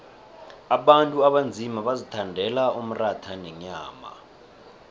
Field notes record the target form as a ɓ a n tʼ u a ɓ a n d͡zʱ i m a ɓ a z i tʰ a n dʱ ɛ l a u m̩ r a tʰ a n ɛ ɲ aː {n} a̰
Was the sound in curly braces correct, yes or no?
no